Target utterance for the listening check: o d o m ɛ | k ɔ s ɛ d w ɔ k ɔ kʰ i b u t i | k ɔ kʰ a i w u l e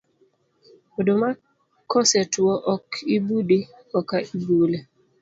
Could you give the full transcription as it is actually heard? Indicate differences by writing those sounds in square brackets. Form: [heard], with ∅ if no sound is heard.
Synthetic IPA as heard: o d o m [a] | k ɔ s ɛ [t] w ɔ [ʔ] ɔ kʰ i b u [d] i | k ɔ [k] a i [b] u l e